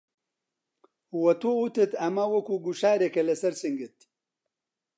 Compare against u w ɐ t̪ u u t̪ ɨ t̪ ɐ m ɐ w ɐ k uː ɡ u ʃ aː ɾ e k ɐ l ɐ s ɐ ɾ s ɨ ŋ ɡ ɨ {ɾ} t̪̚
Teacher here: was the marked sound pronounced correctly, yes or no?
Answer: no